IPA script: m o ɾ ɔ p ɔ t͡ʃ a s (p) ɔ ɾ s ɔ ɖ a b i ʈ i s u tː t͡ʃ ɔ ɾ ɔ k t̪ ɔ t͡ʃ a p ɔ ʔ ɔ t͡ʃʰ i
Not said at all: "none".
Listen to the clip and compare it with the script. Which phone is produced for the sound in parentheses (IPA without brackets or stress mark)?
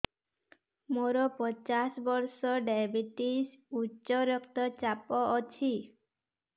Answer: b